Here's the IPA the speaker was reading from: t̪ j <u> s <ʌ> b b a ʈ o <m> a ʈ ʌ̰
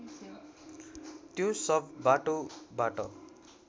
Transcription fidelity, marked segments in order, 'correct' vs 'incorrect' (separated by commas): incorrect, correct, incorrect